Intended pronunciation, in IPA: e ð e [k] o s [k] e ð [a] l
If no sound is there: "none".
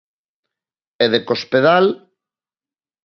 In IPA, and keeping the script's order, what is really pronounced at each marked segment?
k, p, a

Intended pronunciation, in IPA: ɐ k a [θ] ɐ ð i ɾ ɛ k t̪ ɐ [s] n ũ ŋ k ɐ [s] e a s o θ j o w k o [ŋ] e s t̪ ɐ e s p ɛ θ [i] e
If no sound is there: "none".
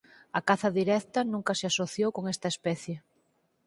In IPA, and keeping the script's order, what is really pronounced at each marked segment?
θ, none, s, ŋ, j

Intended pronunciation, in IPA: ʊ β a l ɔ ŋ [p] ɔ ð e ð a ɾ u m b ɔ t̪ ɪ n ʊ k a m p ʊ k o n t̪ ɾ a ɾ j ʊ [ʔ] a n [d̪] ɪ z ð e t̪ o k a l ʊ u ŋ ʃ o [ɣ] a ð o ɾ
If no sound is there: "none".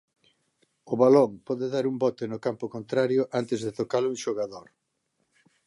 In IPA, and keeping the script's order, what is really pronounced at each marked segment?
p, ʔ, t̪, ɣ

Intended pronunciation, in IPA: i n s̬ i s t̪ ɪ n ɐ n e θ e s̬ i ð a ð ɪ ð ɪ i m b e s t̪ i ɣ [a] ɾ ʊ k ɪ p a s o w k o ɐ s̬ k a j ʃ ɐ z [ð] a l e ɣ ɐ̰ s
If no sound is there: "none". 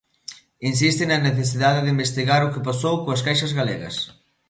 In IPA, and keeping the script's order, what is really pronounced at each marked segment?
a, ɣ

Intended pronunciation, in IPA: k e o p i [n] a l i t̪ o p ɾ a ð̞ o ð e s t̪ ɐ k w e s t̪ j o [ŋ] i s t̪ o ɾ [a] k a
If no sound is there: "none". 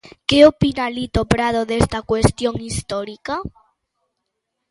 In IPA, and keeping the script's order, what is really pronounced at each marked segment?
n, ŋ, i

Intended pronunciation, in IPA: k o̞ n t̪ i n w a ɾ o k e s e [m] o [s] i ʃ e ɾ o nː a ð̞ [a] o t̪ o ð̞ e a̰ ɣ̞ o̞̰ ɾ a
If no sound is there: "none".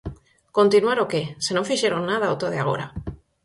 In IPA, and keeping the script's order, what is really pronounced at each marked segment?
n, f, a

